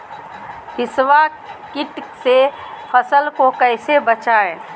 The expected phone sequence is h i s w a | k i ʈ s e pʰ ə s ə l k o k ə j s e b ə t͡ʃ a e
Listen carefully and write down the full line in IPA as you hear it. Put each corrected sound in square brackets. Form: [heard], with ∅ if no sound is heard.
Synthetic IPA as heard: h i s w a | k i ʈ s e pʰ ə s ə l k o k ə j s e b ə t͡ʃ a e